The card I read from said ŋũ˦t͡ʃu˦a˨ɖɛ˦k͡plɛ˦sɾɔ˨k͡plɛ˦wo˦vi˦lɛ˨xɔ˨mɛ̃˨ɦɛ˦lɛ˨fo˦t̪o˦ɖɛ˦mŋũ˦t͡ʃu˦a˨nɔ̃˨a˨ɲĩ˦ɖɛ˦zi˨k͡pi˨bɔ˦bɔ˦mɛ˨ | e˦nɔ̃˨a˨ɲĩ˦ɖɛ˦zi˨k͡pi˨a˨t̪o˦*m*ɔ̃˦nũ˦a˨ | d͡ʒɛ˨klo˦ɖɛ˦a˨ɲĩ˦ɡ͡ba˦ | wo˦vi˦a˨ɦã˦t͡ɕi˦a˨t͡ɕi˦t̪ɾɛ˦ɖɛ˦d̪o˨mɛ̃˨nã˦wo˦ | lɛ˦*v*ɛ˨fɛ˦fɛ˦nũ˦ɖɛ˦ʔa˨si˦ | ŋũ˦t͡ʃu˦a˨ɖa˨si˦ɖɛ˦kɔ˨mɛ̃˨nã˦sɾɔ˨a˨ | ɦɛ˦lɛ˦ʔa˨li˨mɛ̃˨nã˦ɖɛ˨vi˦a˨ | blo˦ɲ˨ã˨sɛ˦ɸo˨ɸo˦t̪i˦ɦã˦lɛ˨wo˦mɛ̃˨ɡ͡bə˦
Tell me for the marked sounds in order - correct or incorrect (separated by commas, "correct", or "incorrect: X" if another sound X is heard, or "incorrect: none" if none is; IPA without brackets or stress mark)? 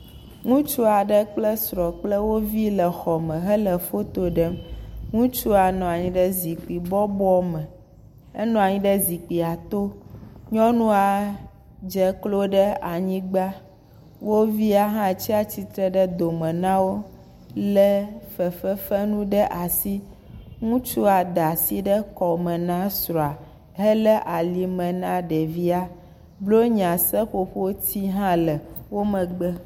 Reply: incorrect: ɲ, incorrect: f